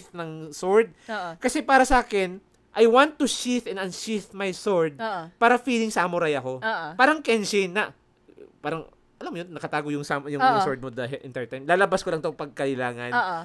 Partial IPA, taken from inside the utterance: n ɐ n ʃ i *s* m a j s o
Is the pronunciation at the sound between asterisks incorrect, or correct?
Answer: incorrect